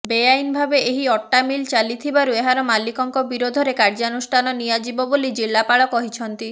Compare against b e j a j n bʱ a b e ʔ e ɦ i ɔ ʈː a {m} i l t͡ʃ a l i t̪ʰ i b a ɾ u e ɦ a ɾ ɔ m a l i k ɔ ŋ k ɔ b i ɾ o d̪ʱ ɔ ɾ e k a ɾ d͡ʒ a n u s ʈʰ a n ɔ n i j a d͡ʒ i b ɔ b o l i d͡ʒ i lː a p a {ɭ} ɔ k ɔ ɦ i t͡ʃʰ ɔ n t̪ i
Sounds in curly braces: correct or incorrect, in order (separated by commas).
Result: correct, correct